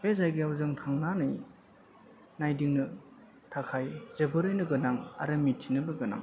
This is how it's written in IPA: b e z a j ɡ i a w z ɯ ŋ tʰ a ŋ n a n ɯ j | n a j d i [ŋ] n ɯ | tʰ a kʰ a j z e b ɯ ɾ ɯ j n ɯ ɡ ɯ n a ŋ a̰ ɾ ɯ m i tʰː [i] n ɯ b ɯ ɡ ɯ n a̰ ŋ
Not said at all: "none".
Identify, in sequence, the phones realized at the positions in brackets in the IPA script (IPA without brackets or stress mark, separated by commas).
ŋ, i